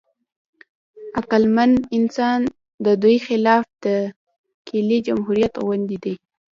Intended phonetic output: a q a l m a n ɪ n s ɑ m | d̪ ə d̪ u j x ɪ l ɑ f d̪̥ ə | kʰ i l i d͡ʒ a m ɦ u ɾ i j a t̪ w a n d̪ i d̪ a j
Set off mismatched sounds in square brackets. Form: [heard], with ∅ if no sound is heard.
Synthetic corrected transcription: a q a l m a n ɪ n s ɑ [n] | d̪ ə d̪ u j x ɪ l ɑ f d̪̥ ə | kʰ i l i d͡ʒ a m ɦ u ɾ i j a t̪ w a n d̪ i d̪ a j